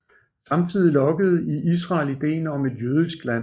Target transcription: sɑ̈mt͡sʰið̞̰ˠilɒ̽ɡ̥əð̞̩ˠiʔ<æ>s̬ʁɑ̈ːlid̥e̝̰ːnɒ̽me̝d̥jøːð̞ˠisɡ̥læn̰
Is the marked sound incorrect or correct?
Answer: incorrect